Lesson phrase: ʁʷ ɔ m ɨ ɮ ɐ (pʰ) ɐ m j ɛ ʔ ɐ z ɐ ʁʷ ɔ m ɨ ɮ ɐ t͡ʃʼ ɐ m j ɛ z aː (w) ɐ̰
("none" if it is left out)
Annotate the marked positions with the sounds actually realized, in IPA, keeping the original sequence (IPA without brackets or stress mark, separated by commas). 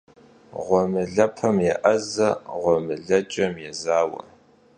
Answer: pʰ, w